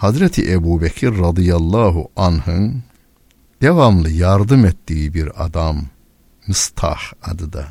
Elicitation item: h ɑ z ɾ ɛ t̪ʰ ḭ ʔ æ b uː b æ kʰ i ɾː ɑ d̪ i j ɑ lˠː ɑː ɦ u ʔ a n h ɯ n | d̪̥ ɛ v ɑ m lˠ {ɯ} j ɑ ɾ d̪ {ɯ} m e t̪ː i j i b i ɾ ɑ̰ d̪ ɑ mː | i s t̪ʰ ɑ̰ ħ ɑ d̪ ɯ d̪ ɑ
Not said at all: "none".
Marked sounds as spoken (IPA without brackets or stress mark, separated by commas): ɯ, ɯ